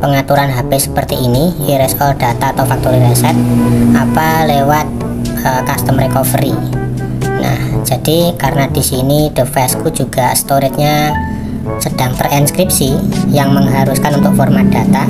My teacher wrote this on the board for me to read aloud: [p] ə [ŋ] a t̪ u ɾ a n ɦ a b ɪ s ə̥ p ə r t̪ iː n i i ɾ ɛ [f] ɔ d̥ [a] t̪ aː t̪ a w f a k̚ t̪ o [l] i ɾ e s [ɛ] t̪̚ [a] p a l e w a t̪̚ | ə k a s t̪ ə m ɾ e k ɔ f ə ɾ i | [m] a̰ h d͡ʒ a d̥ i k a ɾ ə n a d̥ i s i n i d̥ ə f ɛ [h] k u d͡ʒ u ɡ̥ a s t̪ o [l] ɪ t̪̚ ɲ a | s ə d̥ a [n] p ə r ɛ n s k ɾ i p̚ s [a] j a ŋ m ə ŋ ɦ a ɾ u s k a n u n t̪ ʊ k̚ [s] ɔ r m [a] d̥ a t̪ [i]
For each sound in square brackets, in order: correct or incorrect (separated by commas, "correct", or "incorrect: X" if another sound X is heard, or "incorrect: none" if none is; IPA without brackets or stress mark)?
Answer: correct, correct, incorrect: s, correct, incorrect: ɾ, correct, correct, incorrect: n, incorrect: s, incorrect: ɾ, incorrect: ŋ, incorrect: i, incorrect: f, correct, incorrect: a